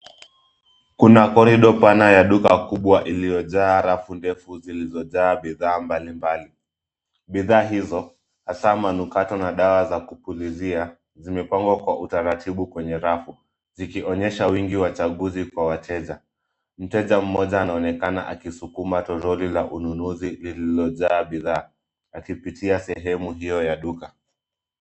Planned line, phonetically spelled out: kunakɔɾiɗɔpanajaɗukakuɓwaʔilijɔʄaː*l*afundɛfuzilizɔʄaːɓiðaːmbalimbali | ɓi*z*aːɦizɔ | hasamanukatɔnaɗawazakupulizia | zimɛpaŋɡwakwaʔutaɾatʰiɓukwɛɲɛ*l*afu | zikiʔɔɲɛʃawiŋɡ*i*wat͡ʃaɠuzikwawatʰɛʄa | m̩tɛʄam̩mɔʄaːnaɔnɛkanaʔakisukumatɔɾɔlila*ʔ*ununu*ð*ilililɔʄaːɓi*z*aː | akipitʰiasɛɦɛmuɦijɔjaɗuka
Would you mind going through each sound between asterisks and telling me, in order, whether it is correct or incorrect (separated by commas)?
incorrect, incorrect, incorrect, correct, correct, incorrect, incorrect